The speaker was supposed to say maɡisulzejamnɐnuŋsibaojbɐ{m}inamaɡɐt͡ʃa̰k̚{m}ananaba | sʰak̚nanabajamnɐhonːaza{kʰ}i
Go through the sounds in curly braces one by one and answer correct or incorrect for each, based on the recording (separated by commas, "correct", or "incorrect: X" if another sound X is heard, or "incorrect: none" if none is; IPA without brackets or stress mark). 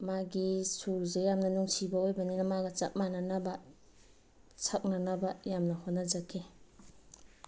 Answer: incorrect: n, correct, correct